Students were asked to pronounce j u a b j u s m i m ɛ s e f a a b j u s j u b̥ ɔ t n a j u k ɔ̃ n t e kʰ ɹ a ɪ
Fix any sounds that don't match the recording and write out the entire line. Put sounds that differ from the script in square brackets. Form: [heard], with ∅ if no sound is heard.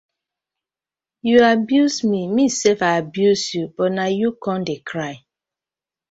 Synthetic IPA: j u a b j u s m i m [i] s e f a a b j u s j u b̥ ɔ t n a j u k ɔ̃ n [d] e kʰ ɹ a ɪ